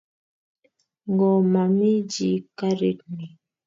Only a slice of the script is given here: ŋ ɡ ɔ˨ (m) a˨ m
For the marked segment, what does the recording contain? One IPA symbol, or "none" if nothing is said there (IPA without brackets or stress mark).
m